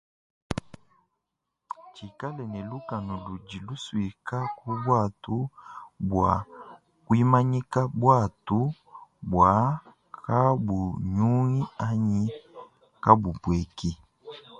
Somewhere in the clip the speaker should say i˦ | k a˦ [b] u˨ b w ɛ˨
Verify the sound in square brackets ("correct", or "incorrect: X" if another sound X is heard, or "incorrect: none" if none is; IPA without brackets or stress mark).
correct